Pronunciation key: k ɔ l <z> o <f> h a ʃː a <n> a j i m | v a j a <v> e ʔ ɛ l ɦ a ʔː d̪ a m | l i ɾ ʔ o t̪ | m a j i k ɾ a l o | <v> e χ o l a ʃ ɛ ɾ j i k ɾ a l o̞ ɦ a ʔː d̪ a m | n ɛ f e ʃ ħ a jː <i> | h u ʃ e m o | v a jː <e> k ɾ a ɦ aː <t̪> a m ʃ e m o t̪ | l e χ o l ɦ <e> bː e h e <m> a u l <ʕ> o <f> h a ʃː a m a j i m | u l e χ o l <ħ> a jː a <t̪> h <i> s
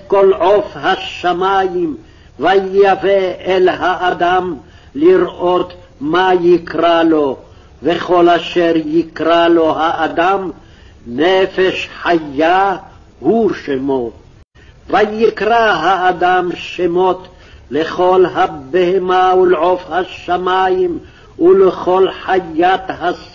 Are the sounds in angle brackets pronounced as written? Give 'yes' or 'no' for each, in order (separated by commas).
no, yes, no, yes, yes, no, no, no, no, yes, yes, yes, yes, yes, no